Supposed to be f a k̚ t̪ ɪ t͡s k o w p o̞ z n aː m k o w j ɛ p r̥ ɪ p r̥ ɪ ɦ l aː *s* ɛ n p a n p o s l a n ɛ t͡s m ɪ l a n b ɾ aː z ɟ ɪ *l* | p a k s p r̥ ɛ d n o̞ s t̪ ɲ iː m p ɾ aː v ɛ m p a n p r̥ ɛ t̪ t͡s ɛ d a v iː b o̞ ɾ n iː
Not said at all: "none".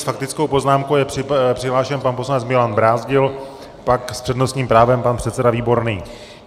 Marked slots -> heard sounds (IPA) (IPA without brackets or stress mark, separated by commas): ʃ, l